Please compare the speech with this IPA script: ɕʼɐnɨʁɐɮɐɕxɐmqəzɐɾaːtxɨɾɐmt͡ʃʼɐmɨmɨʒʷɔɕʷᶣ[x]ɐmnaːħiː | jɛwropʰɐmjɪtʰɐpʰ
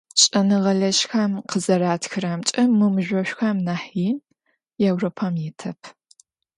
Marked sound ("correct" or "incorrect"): correct